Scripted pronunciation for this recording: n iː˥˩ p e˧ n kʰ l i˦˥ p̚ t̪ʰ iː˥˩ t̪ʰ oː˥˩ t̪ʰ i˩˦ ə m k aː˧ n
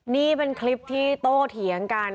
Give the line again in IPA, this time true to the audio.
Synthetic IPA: n iː˥˩ p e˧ n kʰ l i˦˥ p̚ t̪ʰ iː˥˩ t̪ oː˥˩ t̪ʰ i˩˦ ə ŋ k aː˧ n

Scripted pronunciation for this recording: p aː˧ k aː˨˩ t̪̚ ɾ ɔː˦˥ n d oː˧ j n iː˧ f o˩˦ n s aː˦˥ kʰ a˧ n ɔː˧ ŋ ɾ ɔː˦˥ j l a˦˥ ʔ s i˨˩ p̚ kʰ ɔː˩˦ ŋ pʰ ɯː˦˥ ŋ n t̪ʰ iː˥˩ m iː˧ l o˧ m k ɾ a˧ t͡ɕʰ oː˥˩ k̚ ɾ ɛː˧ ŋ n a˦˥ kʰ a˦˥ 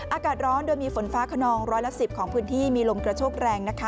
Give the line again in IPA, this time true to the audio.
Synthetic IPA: ʔ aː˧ k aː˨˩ t̪̚ ɾ ɔː˦˥ n d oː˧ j m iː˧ f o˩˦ n f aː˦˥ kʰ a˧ n ɔː˧ ŋ ɾ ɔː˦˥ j l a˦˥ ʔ s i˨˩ p̚ kʰ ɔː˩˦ ŋ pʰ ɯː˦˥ n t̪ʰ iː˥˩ m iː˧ l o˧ m k ɾ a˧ t͡ɕʰ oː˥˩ k̚ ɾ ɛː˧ ŋ n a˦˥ kʰ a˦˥

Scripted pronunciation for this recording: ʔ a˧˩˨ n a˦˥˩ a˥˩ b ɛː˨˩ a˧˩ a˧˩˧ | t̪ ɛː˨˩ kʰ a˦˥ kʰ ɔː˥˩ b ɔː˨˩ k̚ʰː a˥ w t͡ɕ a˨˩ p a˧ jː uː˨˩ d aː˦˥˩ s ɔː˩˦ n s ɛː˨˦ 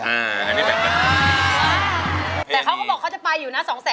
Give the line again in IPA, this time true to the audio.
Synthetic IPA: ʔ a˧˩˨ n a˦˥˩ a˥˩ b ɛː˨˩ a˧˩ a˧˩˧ | t̪ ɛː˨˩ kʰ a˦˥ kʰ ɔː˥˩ b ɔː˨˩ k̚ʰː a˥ w t͡ɕ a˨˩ p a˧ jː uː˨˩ n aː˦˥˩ s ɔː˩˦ ŋ s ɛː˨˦

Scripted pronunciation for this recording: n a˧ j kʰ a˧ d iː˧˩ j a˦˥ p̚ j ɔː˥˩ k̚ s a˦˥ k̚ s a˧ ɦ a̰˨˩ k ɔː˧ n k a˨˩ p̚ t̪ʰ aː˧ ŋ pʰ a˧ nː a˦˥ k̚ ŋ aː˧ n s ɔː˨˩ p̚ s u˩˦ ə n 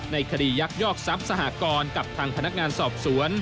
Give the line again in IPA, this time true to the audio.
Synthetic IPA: n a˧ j kʰ a˧ d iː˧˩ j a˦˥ k̚ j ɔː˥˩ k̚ s a˦˥ p̚ s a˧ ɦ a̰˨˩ k ɔː˧ n k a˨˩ p̚ t̪ʰ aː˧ ŋ pʰ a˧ n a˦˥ k̚ ŋ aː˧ n s ɔː˨˩ p̚ s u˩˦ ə n

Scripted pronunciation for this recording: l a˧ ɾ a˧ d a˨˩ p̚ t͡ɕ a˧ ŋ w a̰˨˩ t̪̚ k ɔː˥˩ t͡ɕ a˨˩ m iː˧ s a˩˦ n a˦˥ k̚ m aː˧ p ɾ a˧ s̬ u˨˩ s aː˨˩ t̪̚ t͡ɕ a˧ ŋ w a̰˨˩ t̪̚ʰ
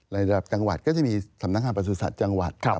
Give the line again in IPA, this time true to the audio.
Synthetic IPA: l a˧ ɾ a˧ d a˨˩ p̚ t͡ɕ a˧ ŋ w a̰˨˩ t̪̚ k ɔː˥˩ t͡ɕ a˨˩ m iː˧ s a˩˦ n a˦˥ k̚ ŋ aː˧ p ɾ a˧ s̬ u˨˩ s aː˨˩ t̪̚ t͡ɕ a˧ ŋ w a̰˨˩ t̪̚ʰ

